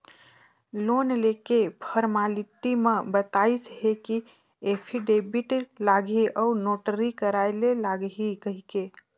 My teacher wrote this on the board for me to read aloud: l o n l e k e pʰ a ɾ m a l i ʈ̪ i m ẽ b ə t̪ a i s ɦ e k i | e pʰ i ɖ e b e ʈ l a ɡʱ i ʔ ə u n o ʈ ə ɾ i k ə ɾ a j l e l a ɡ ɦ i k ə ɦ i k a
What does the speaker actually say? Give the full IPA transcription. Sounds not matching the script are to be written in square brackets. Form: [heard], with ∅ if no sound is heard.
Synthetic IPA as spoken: l o n l e k e pʰ [ə] ɾ m a l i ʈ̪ i m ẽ b ə t̪ a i s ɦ e k i | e pʰ i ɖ e b [i] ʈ l a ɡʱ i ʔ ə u n o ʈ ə ɾ i k ə ɾ a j l e l a ɡ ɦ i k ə ɦ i k [e]

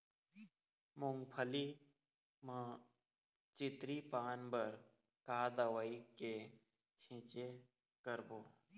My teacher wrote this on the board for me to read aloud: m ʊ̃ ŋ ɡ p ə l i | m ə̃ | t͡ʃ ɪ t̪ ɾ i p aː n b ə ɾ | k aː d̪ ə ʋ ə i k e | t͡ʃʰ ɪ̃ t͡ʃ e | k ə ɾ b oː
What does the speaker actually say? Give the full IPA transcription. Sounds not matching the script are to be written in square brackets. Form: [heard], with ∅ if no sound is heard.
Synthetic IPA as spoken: m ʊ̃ ŋ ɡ [pʰ] ə l i | m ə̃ | t͡ʃ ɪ t̪ ɾ i p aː n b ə ɾ | k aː d̪ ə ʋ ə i k e | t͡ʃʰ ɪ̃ t͡ʃ e | k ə ɾ b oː

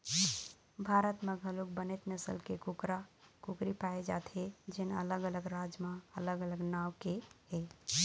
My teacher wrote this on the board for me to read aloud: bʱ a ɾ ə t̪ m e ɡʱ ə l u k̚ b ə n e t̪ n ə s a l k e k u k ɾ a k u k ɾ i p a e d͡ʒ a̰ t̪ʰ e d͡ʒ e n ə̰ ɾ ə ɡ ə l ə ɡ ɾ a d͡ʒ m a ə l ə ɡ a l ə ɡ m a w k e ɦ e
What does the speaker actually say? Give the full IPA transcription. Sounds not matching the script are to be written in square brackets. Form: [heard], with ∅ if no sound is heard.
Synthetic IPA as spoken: bʱ a ɾ ə t̪ m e ɡʱ ə l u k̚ b ə n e t̪ n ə s [ə] l k e k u k ɾ a k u k ɾ i p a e d͡ʒ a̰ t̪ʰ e d͡ʒ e n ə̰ [l] ə ɡ ə l ə ɡ ɾ a d͡ʒ m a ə l ə ɡ [ə] l ə ɡ [n] a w k e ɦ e

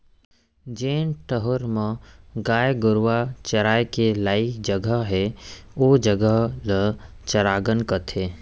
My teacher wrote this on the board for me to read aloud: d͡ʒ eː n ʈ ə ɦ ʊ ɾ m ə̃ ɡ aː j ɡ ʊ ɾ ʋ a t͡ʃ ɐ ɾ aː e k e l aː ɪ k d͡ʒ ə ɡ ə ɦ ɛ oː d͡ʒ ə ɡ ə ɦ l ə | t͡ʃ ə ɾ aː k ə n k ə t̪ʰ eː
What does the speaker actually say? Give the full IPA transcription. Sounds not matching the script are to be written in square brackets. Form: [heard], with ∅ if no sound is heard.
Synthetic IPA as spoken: d͡ʒ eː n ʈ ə ɦ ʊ ɾ m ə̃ ɡ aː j ɡ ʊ ɾ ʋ a t͡ʃ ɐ ɾ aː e k e l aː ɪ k d͡ʒ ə ɡ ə ɦ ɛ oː d͡ʒ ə ɡ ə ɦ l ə | t͡ʃ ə ɾ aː [ɡ] ə n k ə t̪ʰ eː

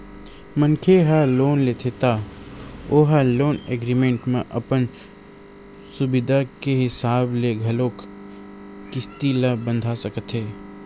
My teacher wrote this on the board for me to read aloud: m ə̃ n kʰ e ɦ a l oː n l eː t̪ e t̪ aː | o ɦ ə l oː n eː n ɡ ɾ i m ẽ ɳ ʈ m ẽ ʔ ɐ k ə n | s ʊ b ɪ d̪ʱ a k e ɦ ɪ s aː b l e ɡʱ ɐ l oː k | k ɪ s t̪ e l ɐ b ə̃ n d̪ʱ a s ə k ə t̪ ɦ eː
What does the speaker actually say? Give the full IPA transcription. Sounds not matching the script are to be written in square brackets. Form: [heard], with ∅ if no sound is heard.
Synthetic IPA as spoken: m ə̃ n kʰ e ɦ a l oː n l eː [t̪ʰ] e t̪ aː | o ɦ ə l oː n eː [∅] ɡ ɾ i m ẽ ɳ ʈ m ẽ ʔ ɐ [p] ə n | s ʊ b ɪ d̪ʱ a k e ɦ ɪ s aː b l e ɡʱ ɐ l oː k | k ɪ s t̪ [i] l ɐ b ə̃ n d̪ʱ a s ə k ə t̪ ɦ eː

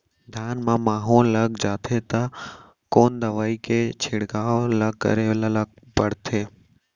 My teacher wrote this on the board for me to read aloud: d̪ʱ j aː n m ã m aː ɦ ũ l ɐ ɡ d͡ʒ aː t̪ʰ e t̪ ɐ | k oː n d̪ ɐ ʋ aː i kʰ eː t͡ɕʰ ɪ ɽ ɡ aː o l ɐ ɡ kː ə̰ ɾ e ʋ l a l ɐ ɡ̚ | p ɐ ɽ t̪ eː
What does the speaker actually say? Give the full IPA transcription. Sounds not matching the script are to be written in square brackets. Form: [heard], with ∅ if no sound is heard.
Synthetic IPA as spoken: d̪ʱ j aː n m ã m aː ɦ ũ l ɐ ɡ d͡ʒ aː t̪ʰ e t̪ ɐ | k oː n d̪ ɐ ʋ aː i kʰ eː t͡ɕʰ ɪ ɽ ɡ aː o l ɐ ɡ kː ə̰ ɾ e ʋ l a l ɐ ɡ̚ | p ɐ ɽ [t̪ʰ] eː

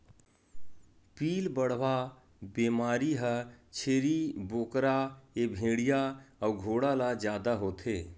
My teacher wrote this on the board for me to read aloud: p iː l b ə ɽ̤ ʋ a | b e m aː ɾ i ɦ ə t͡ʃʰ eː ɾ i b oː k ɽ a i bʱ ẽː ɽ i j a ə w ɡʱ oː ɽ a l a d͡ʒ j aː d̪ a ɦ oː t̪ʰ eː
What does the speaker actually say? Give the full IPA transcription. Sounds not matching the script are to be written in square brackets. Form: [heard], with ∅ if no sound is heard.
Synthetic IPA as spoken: p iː l b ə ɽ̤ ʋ a | b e m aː ɾ i ɦ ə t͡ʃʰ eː ɾ i b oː k [ɾ] a [e] bʱ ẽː ɽ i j a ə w ɡʱ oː ɽ a l a d͡ʒ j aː d̪ a ɦ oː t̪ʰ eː

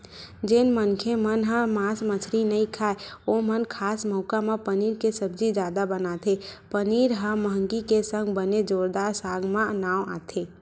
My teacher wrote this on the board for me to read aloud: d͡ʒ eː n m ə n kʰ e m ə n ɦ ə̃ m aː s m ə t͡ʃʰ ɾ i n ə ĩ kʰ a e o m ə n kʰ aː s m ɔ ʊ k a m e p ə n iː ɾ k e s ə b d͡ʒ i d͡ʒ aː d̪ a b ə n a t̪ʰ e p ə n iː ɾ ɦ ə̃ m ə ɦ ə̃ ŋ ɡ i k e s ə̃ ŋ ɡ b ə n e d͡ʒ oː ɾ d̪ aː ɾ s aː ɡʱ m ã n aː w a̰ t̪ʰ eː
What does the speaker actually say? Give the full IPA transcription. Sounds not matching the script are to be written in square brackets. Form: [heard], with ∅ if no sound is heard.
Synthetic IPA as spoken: d͡ʒ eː n m ə n kʰ e m ə n ɦ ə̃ m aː s m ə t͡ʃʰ ɾ i n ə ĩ kʰ a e o m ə n kʰ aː s m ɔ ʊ k a m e p ə n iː ɾ k e s ə b d͡ʒ i d͡ʒ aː d̪ a b ə n a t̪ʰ e p ə n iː ɾ ɦ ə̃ m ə ɦ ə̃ ŋ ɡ i k e s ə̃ ŋ ɡ b ə n e d͡ʒ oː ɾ d̪ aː ɾ s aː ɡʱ m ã n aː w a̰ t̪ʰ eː

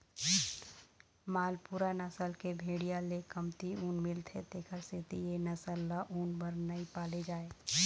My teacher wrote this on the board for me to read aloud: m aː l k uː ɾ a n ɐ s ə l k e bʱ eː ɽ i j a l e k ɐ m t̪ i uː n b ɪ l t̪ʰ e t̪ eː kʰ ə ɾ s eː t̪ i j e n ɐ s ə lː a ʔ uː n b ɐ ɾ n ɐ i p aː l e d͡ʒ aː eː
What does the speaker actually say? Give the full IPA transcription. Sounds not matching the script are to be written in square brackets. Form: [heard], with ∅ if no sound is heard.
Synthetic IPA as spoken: m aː l [p] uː ɾ a n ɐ s ə l k e bʱ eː ɽ i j a l e k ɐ m t̪ i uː n [m] ɪ l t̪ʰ e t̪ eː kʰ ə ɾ s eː t̪ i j e n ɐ s ə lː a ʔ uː n b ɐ ɾ n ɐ i p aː l e d͡ʒ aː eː

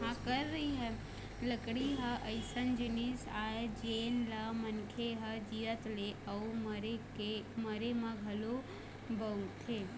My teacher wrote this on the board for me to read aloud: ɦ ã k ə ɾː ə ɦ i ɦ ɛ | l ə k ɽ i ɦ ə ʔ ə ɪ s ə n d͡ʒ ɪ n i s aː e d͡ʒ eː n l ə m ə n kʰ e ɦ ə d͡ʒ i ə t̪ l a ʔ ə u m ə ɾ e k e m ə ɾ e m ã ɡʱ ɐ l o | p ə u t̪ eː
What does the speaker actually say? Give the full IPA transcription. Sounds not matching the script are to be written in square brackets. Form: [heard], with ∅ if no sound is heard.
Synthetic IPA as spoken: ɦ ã k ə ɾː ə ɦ i ɦ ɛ | l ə k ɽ i ɦ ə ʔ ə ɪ s ə n d͡ʒ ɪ n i s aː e d͡ʒ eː n l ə m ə n kʰ e ɦ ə d͡ʒ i ə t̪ l [e] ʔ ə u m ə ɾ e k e m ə ɾ e m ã ɡʱ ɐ l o | [b] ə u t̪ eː

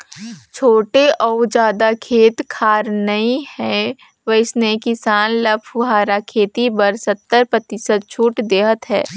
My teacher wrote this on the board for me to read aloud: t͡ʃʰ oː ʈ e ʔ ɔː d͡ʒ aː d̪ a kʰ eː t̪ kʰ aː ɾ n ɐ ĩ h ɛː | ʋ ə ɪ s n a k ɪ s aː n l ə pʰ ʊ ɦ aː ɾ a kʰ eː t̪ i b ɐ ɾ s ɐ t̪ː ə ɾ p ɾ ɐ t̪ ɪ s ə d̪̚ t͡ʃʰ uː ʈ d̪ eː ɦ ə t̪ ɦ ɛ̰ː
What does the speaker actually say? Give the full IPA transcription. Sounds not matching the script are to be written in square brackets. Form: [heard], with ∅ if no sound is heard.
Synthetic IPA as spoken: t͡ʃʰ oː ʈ e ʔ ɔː d͡ʒ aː d̪ a kʰ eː t̪ kʰ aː ɾ n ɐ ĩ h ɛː | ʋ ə ɪ s n [e] k ɪ s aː n l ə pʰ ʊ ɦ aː ɾ a kʰ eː t̪ i b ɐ ɾ s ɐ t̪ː ə ɾ p ɾ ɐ t̪ ɪ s ə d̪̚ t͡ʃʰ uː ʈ d̪ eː ɦ ə t̪ ɦ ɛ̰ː

